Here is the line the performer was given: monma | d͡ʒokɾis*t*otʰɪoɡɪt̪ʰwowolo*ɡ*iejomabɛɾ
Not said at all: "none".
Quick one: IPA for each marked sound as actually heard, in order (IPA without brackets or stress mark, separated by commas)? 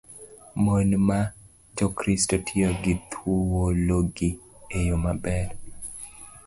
t, ɡ